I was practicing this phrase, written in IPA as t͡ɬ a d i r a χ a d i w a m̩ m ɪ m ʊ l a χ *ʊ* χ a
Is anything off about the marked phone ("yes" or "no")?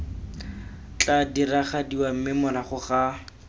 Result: no